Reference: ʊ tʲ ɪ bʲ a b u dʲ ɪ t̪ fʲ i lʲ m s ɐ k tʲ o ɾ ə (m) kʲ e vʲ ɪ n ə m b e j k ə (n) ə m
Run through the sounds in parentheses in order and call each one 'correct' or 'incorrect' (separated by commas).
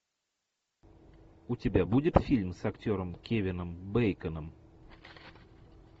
correct, correct